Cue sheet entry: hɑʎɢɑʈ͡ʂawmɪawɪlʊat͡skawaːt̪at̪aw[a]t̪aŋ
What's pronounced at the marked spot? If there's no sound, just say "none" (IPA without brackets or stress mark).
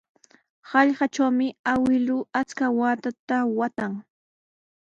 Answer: a